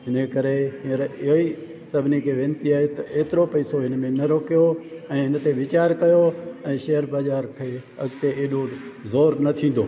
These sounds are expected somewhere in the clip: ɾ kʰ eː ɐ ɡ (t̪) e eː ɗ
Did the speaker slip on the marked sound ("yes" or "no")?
no